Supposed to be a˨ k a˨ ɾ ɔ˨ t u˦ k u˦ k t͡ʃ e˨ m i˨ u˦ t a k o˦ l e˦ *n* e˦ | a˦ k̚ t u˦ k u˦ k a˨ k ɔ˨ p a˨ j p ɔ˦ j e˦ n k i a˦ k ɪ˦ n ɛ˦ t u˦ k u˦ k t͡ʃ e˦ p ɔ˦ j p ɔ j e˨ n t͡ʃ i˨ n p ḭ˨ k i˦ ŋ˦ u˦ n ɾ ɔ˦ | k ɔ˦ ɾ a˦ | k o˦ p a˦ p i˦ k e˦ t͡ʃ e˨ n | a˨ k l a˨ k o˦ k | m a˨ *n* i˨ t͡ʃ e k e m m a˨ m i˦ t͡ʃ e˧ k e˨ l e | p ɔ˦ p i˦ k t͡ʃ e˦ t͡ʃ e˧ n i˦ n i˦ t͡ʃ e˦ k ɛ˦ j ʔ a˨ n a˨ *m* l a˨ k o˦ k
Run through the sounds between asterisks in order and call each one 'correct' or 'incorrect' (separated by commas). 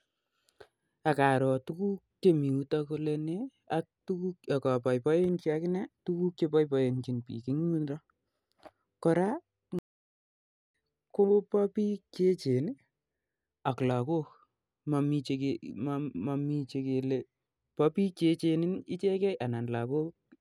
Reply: correct, incorrect, incorrect